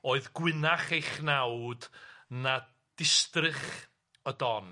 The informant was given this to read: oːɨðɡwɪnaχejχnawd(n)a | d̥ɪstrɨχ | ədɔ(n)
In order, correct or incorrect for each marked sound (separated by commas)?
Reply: correct, correct